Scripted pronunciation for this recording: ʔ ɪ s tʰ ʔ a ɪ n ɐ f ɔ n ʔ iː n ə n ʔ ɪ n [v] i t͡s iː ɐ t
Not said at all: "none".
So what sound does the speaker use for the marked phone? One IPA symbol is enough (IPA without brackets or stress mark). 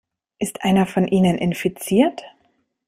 f